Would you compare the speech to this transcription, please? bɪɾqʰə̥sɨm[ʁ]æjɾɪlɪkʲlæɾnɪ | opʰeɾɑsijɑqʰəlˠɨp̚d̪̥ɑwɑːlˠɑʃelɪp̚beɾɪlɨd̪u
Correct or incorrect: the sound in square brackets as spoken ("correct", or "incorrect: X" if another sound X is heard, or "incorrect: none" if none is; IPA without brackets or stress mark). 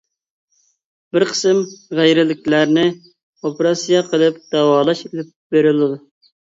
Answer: correct